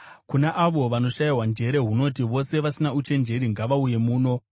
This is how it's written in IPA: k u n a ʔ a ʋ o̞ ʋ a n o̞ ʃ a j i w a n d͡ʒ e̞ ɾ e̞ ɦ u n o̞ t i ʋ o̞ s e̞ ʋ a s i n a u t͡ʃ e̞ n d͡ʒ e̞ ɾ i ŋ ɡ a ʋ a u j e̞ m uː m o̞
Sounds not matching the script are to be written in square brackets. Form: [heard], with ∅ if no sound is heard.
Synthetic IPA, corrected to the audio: k u n a ʔ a ʋ o̞ ʋ a n o̞ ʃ a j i w a n d͡ʒ e̞ ɾ e̞ ɦ u n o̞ t i ʋ o̞ s e̞ ʋ a s i n a u t͡ʃ e̞ n d͡ʒ e̞ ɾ i ŋ ɡ a ʋ a u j e̞ m uː [n] o̞